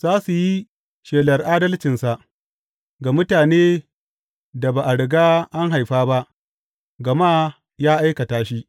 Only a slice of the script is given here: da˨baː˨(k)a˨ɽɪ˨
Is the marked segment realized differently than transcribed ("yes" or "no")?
yes